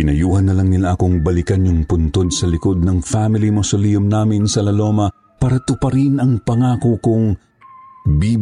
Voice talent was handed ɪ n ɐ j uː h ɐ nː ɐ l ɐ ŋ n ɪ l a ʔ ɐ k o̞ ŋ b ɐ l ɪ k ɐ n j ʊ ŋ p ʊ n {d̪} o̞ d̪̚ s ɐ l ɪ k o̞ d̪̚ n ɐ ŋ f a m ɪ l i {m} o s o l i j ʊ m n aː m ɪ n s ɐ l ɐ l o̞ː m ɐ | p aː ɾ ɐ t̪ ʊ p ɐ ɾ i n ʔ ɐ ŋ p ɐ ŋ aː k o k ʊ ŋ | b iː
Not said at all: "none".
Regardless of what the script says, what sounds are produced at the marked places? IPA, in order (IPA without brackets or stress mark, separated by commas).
t̪, m